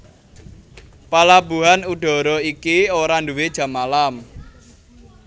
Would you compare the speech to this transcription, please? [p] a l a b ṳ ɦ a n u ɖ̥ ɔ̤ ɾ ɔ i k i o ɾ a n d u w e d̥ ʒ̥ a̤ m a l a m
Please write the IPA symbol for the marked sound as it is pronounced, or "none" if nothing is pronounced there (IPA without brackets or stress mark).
p